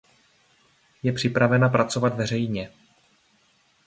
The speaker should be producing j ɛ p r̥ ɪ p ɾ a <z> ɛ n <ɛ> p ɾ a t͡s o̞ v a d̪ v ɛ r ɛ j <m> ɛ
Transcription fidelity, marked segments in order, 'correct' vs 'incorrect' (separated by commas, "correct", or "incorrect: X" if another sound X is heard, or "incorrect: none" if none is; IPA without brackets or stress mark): incorrect: v, incorrect: a, incorrect: ɲ